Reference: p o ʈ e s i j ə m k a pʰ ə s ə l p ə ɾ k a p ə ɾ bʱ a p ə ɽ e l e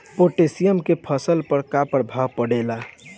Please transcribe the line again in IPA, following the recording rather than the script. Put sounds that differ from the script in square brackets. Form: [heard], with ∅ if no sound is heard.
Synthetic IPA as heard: p o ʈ e s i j ə m k [e] pʰ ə s ə l p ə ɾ k a p ə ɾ bʱ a p ə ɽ e l [a]